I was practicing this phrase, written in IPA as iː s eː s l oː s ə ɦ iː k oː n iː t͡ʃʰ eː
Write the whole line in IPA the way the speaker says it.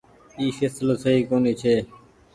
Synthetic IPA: iː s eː s l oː s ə ɦ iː k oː n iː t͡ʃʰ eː